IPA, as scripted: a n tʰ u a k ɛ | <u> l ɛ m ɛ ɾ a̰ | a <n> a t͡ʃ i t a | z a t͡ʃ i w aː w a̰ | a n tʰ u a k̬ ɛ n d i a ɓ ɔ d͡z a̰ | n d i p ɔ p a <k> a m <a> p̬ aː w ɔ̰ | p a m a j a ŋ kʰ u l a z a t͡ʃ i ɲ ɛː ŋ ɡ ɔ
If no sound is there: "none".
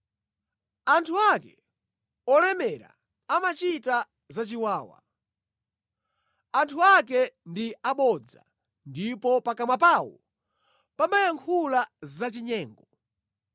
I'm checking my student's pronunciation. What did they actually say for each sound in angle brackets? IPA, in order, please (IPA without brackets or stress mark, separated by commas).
ɔ, m, k, a